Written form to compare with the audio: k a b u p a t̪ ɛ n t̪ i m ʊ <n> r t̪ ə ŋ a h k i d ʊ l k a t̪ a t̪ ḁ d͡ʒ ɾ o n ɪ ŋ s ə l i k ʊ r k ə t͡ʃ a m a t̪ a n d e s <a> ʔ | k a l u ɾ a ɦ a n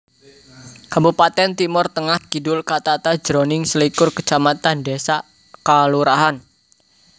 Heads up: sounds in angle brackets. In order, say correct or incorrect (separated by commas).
incorrect, correct